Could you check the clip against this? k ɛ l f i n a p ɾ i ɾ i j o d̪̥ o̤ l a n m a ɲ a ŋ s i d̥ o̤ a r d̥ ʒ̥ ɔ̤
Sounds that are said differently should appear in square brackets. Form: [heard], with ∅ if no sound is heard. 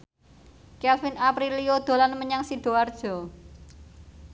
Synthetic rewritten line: k ɛ l f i n a p ɾ i [l] i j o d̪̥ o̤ l a n m [ə] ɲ a ŋ s i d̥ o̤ a r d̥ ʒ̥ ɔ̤